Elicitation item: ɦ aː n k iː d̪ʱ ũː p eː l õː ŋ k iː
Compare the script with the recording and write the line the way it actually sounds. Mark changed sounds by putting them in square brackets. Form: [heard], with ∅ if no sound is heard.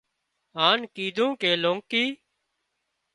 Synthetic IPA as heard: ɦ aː n k iː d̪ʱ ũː [k] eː l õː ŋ k iː